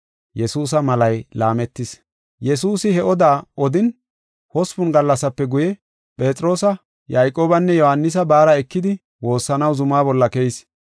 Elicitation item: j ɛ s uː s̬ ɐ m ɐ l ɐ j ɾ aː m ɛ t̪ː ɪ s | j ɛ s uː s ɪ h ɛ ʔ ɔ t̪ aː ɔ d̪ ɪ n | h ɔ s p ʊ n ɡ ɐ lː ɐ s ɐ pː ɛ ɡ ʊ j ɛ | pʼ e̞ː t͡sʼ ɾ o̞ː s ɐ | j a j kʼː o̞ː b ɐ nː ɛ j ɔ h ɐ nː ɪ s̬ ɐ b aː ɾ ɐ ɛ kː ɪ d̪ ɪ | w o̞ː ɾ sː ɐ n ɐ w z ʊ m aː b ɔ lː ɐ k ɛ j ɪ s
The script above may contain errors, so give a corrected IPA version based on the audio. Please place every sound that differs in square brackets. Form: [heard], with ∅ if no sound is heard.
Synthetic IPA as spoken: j ɛ s uː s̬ ɐ m ɐ l ɐ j [l] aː m ɛ t̪ː ɪ s | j ɛ s uː s ɪ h ɛ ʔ ɔ [d̪] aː ɔ d̪ ɪ n | h ɔ s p ʊ n ɡ ɐ lː ɐ s ɐ pː ɛ ɡ ʊ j ɛ | pʼ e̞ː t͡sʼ ɾ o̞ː s ɐ | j a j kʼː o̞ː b ɐ nː ɛ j ɔ h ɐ nː ɪ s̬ ɐ b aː ɾ ɐ ɛ kː ɪ d̪ ɪ | w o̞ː [∅] sː ɐ n ɐ w z ʊ m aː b ɔ lː ɐ k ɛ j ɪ s

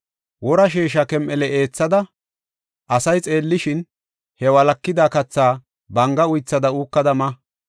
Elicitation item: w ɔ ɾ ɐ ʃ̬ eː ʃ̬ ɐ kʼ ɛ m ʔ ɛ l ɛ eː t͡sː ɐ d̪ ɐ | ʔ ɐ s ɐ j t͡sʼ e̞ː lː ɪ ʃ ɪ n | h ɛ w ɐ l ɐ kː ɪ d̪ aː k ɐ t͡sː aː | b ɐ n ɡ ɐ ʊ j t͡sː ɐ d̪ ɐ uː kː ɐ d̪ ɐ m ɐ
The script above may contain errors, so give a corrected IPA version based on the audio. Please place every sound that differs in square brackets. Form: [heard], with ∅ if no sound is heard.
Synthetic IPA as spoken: w ɔ ɾ ɐ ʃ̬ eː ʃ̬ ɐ [k] ɛ m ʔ ɛ l ɛ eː t͡sː ɐ d̪ ɐ | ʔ ɐ s ɐ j t͡sʼ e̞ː lː ɪ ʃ ɪ n | h ɛ w ɐ l ɐ kː ɪ d̪ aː k ɐ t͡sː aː | b ɐ [ŋ] ɡ ɐ ʊ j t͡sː ɐ d̪ ɐ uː kː ɐ d̪ ɐ m ɐ

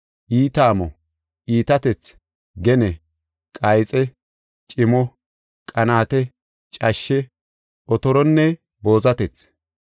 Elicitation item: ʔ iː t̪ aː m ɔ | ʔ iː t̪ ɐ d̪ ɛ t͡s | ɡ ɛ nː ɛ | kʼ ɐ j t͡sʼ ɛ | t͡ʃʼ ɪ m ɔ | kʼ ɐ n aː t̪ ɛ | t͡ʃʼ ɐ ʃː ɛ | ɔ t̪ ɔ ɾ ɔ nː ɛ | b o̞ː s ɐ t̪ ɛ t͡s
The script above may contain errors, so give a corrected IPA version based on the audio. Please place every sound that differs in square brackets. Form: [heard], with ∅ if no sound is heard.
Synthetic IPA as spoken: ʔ iː t̪ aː m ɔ | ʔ iː t̪ ɐ [t̪] ɛ t͡s | ɡ ɛ [n] ɛ | kʼ ɐ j t͡sʼ ɛ | t͡ʃʼ ɪ m ɔ | kʼ ɐ n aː t̪ ɛ | t͡ʃʼ ɐ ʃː ɛ | ɔ t̪ ɔ ɾ ɔ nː ɛ | b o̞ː [z] ɐ t̪ ɛ t͡s

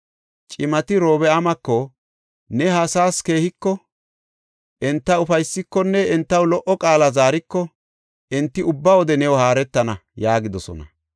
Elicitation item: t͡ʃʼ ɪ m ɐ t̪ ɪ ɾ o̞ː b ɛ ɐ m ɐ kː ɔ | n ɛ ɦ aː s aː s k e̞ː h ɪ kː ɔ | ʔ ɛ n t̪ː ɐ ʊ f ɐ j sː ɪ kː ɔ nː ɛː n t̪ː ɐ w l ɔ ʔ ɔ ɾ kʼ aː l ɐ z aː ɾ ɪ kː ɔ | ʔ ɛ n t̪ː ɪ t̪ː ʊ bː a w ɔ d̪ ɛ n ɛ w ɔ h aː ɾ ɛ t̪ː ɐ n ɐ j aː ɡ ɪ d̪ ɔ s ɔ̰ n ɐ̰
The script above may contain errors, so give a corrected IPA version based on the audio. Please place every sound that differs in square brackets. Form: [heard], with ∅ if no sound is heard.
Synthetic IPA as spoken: t͡ʃʼ ɪ m ɐ t̪ ɪ ɾ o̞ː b ɛ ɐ m ɐ kː ɔ | n ɛ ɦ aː s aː s k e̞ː h ɪ kː ɔ | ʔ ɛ n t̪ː ɐ ʊ f ɐ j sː ɪ kː ɔ nː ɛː n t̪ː ɐ w l ɔ ʔ ɔ [∅] kʼ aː l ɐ z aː ɾ ɪ kː ɔ | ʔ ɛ n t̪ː ɪ [∅] ʊ bː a w ɔ d̪ ɛ n ɛ w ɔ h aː ɾ ɛ t̪ː ɐ n ɐ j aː ɡ ɪ d̪ ɔ s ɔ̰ n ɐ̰

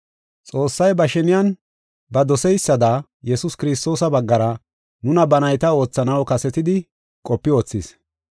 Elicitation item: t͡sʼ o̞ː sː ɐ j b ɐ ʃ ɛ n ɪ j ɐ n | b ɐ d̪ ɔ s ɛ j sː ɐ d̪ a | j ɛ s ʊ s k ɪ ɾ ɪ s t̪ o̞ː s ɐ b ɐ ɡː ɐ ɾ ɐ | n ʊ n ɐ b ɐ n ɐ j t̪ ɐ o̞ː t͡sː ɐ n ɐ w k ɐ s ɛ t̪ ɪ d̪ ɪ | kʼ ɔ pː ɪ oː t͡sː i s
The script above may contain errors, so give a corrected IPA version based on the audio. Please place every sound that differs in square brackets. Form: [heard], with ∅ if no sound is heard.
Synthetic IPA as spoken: t͡sʼ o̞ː sː ɐ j b ɐ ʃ ɛ n ɪ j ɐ n | b ɐ d̪ ɔ s ɛ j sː ɐ d̪ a | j ɛ s ʊ s k ɪ ɾ ɪ s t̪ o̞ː s ɐ b ɐ ɡː ɐ ɾ ɐ | n ʊ n ɐ b ɐ n ɐ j t̪ ɐ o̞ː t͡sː ɐ n ɐ w k ɐ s ɛ t̪ ɪ d̪ ɪ | kʼ ɔ pː ɪ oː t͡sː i s

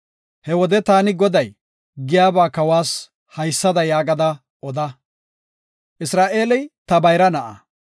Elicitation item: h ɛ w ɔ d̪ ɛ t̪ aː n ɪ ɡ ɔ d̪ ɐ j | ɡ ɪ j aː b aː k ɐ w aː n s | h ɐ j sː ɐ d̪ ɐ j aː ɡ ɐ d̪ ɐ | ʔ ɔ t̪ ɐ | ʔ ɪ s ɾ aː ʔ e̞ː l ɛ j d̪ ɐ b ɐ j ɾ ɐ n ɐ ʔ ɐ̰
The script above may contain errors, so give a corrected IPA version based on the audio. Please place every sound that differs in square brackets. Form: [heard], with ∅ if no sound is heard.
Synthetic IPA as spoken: h ɛ w ɔ d̪ ɛ t̪ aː n ɪ ɡ ɔ d̪ ɐ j | ɡ ɪ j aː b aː k ɐ w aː [∅] s | h ɐ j sː ɐ d̪ ɐ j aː ɡ ɐ d̪ ɐ | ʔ ɔ [d̪] ɐ | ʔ ɪ s ɾ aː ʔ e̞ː l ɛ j [t̪] ɐ b ɐ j ɾ ɐ n ɐ ʔ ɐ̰

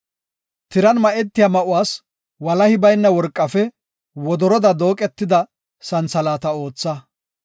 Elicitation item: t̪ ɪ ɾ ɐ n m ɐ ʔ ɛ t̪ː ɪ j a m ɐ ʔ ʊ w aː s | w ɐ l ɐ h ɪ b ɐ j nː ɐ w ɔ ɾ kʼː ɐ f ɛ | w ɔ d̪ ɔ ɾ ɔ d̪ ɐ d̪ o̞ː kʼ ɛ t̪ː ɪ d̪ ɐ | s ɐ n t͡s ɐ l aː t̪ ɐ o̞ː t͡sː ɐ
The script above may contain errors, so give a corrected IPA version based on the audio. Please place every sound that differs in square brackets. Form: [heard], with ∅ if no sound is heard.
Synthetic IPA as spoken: t̪ ɪ ɾ ɐ n m ɐ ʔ ɛ t̪ː ɪ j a m ɐ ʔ ʊ w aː s | w ɐ l ɐ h ɪ b ɐ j nː ɐ w ɔ ɾ kʼː ɐ f ɛ | w ɔ d̪ ɔ ɾ ɔ d̪ ɐ d̪ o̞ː kʼ ɛ t̪ː ɪ d̪ ɐ | s ɐ n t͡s ɐ l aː t̪ ɐ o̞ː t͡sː ɐ

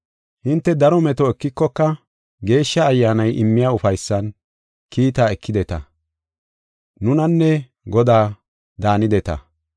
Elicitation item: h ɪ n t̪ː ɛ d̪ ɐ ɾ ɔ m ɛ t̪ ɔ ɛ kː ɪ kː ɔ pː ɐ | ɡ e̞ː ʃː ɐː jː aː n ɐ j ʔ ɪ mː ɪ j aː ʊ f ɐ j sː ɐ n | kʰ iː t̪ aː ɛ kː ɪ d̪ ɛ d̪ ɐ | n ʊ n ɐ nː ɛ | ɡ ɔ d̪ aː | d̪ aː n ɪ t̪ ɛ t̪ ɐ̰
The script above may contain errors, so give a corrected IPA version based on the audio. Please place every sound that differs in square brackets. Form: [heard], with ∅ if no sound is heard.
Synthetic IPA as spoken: h ɪ n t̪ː ɛ d̪ ɐ ɾ ɔ m ɛ t̪ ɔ ɛ kː ɪ kː ɔ [kː] ɐ | ɡ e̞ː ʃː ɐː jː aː n ɐ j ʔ ɪ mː ɪ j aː ʊ f ɐ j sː ɐ n | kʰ iː t̪ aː ɛ kː ɪ d̪ ɛ [t̪] ɐ | n ʊ n ɐ nː ɛ | ɡ ɔ d̪ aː | d̪ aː n ɪ [d̪] ɛ t̪ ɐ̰

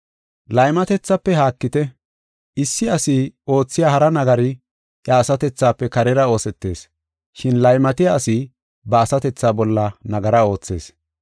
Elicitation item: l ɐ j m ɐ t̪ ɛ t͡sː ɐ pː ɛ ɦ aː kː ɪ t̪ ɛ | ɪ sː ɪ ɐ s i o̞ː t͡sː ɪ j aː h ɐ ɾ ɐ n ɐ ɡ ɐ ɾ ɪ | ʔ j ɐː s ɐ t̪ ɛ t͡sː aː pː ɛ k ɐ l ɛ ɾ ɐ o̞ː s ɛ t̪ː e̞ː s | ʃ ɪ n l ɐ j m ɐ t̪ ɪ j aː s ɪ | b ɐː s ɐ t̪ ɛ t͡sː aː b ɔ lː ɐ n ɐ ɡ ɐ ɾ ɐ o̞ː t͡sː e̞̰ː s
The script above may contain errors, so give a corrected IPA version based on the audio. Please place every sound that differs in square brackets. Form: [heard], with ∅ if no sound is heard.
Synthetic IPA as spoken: l ɐ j m ɐ t̪ ɛ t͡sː ɐ pː ɛ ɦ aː kː ɪ t̪ ɛ | ɪ sː ɪ ɐ s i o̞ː t͡sː ɪ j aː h ɐ ɾ ɐ n ɐ ɡ ɐ ɾ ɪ | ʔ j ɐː s ɐ t̪ ɛ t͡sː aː pː ɛ k ɐ [ɾ] ɛ ɾ ɐ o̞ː s ɛ t̪ː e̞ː s | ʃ ɪ n l ɐ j m ɐ t̪ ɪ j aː s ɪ | b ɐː s ɐ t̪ ɛ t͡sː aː b ɔ lː ɐ n ɐ ɡ ɐ ɾ ɐ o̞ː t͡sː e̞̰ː s

